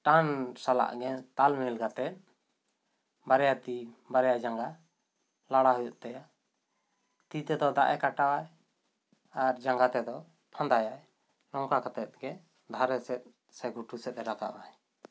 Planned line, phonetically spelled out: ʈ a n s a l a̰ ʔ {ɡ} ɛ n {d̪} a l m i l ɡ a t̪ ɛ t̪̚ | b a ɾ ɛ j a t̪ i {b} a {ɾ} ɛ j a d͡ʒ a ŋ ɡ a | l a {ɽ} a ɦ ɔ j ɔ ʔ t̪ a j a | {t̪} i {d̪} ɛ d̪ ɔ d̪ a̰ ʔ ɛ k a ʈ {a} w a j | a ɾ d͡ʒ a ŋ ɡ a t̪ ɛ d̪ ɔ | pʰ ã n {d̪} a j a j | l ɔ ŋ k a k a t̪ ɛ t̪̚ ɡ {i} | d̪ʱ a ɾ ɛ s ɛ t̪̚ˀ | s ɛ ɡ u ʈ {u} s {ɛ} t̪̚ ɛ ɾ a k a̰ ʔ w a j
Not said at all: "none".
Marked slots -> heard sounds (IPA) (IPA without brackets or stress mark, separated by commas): ɡ, t̪, b, ɾ, ɽ, t̪, t̪, a, d̪, ɛ, u, ɛ